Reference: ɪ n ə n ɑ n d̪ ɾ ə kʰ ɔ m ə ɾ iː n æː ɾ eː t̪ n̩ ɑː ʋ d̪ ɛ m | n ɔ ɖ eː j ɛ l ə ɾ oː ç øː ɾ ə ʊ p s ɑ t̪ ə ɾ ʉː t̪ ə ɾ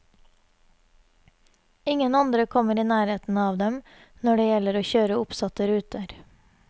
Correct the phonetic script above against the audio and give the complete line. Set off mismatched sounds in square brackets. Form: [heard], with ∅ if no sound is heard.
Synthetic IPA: ɪ [ŋ] ə n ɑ n d̪ ɾ ə kʰ ɔ m ə ɾ iː n æː ɾ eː t̪ n̩ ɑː ʋ d̪ ɛ m | n ɔ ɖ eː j ɛ l ə ɾ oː ç øː ɾ ə ʊ p s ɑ t̪ ə ɾ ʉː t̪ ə ɾ